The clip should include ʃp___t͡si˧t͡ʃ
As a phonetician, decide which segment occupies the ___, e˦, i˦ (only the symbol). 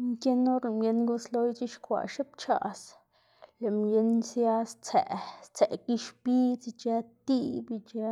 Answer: i˦